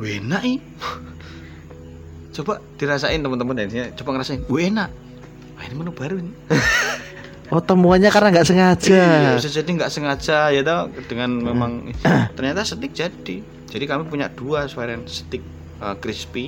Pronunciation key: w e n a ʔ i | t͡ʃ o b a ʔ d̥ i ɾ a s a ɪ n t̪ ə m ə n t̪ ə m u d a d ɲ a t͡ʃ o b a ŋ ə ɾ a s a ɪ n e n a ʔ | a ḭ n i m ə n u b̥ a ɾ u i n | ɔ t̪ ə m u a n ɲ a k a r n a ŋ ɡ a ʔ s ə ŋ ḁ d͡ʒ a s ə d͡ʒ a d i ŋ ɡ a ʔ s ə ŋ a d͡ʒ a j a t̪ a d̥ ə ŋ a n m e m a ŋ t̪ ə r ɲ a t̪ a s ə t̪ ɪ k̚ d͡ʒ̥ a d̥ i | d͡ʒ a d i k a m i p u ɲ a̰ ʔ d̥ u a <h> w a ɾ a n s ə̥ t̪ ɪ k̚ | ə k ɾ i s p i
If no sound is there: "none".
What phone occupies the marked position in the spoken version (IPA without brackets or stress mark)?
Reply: s